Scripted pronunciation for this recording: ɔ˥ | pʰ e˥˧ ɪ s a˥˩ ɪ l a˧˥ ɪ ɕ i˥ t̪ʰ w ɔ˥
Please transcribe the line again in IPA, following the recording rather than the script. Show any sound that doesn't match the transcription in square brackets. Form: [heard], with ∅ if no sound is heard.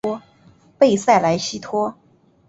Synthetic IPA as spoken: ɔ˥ | [p] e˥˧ ɪ s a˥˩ ɪ l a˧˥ ɪ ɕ i˥ t̪ʰ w ɔ˥